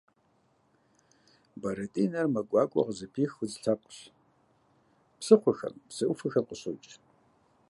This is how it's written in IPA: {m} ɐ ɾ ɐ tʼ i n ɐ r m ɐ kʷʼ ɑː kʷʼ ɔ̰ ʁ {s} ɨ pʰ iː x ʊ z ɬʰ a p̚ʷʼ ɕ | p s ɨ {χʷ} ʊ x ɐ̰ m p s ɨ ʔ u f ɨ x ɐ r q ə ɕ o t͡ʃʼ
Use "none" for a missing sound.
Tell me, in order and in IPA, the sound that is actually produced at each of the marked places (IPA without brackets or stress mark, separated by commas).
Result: b, z, χʷ